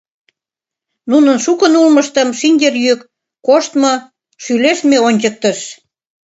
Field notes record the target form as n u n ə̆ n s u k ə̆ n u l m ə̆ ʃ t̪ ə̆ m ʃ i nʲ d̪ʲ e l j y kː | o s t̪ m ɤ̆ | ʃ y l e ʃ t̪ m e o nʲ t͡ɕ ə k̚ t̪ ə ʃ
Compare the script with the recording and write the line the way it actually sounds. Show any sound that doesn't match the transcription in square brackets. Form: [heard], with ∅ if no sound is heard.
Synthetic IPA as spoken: n u n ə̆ n [ʃ] u k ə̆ n u l m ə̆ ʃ t̪ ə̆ m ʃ i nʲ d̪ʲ e [r] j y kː | o [ʃ] t̪ m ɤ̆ | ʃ y l e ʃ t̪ m e o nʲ t͡ɕ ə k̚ t̪ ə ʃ